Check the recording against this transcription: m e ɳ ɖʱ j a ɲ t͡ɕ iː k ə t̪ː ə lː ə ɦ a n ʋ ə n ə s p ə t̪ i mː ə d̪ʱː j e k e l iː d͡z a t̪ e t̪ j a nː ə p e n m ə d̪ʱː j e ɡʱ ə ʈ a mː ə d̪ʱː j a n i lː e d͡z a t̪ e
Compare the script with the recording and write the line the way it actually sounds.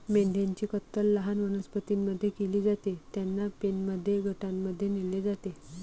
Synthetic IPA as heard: m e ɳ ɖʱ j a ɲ t͡ɕ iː k ə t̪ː ə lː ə ɦ a n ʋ ə n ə s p ə t̪ i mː ə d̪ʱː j e k e l iː d͡z a t̪ e t̪ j a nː a p e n m ə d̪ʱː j e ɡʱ ə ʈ a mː ə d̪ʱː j e n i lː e d͡z a t̪ e

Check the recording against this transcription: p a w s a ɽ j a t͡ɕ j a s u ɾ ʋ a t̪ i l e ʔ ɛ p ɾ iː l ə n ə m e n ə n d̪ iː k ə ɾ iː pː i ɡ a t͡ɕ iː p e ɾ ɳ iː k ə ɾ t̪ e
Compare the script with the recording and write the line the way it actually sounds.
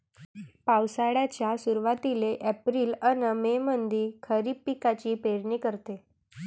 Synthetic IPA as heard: p a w s a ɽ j a t͡ɕ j a s u ɾ ʋ a t̪ i l e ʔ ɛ p ɾ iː l ə n ə m e m ə n d̪ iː kʰ ə ɾ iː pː i k a t͡ɕ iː p e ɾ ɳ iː k ə ɾ t̪ e

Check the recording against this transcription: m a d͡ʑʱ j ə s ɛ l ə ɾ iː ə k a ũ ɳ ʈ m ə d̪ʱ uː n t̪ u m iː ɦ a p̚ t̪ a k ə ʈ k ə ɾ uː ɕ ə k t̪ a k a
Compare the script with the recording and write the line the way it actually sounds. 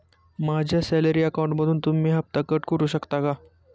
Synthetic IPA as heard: m a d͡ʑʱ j a s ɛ l ə ɾ iː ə k a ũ ɳ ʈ m ə d̪ʱ uː n t̪ u m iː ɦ a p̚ t̪ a k ə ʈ k ə ɾ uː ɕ ə k t̪ a k a

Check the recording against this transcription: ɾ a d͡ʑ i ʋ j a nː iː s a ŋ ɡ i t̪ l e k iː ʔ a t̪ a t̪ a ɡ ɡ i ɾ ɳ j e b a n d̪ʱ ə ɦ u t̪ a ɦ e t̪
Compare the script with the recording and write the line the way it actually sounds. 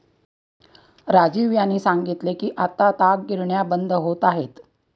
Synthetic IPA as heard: ɾ a d͡ʑ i ʋ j a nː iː s a ŋ ɡ i t̪ l e k iː ʔ a t̪ a t̪ a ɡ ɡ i ɾ ɳ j a b ə n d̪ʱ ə ɦ o t̪ a ɦ e t̪

